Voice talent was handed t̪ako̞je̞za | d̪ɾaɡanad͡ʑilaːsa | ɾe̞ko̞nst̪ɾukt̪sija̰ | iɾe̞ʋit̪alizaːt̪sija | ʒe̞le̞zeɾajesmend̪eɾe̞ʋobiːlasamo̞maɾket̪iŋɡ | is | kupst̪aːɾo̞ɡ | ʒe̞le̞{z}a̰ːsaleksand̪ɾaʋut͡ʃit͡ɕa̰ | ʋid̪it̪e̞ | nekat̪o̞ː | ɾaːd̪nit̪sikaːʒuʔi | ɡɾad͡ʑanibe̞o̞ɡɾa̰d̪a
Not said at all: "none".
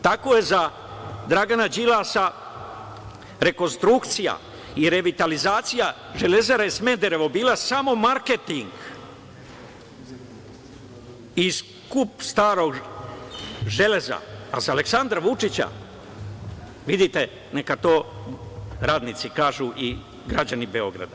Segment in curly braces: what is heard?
z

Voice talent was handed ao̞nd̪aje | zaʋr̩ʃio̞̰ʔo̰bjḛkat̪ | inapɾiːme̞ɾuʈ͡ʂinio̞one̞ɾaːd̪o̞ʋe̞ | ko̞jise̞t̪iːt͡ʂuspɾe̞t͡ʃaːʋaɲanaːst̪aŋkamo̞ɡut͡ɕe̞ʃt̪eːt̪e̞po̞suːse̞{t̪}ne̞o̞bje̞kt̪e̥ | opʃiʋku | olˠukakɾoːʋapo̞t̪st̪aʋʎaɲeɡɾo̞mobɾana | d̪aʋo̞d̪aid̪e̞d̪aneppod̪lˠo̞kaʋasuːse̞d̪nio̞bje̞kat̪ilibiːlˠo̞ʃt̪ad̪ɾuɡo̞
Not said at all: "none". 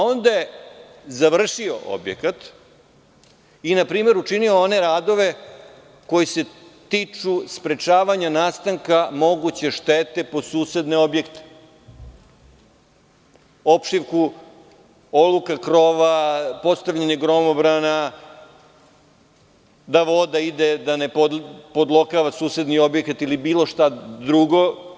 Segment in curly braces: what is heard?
d̪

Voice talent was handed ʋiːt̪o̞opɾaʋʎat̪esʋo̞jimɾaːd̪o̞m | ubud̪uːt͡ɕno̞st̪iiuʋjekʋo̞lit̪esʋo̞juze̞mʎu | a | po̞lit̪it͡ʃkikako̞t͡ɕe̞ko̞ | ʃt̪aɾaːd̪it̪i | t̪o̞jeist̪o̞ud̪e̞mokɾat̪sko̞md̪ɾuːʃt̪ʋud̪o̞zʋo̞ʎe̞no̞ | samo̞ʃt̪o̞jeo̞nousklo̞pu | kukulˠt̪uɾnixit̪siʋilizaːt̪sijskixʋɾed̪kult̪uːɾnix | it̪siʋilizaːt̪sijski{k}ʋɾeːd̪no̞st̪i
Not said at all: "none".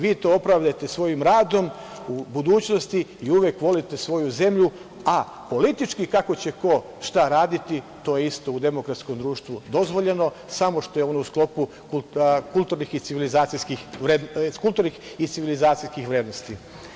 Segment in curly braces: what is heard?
x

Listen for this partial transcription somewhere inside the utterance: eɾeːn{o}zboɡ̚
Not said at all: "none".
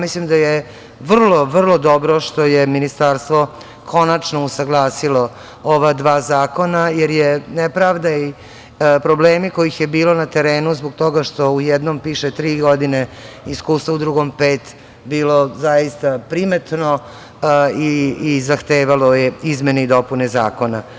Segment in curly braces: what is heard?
u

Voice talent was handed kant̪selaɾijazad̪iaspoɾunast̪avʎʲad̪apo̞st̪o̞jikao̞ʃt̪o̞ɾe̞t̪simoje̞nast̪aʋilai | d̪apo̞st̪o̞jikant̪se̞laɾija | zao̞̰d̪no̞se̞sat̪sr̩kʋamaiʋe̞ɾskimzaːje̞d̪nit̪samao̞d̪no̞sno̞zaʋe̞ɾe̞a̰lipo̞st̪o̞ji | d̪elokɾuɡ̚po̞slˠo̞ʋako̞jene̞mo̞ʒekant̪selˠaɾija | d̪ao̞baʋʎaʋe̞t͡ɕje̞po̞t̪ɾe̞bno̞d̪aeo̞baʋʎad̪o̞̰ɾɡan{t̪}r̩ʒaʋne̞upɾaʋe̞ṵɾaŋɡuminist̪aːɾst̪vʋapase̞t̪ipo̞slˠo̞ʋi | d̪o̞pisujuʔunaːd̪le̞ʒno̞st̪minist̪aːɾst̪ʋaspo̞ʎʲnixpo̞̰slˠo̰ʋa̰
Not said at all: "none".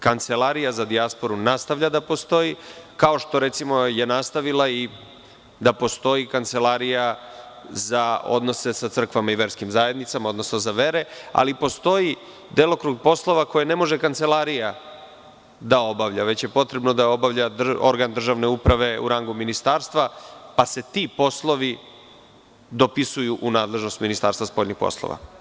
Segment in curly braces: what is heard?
d̪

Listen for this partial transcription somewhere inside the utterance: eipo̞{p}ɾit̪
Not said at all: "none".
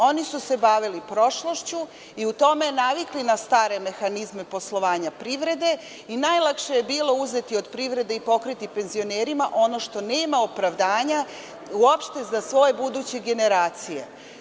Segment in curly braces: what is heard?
k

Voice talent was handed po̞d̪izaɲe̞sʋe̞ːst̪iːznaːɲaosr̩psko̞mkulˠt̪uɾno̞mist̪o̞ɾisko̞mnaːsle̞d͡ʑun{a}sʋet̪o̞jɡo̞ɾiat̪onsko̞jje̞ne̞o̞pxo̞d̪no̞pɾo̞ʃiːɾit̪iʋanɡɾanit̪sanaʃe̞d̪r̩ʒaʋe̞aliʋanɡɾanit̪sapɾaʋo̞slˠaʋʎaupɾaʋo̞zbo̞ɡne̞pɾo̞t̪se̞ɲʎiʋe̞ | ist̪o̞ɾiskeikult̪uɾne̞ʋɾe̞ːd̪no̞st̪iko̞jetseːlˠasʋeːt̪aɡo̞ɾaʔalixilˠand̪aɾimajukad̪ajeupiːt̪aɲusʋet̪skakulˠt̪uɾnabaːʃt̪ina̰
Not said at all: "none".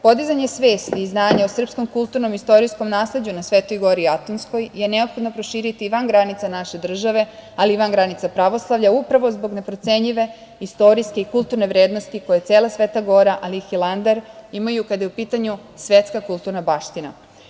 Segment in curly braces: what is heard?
a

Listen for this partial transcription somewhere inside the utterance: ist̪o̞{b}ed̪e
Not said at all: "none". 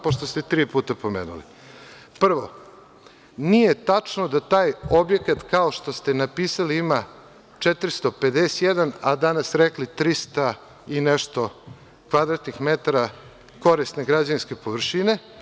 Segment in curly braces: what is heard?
p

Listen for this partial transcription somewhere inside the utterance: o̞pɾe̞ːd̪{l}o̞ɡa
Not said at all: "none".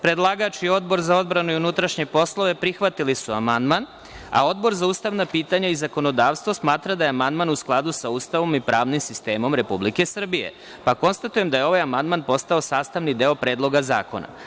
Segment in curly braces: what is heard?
l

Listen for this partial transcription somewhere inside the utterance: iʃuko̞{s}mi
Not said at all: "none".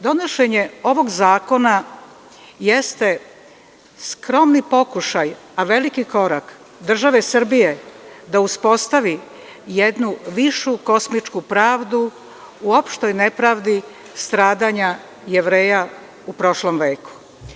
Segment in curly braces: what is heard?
s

